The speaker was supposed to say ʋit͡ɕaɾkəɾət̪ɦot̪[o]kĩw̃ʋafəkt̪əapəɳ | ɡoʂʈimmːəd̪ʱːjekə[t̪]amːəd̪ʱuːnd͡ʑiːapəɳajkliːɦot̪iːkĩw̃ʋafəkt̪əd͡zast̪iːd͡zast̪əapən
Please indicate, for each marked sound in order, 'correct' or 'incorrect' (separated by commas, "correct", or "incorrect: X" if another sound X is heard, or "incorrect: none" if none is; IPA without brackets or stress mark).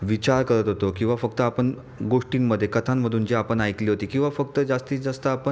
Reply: correct, incorrect: t̪ʰ